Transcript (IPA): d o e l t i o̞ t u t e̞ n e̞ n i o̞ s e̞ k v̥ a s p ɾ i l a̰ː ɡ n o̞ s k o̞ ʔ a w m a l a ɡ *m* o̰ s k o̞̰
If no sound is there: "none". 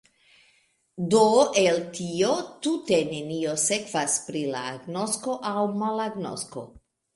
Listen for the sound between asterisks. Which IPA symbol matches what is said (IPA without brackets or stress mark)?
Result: n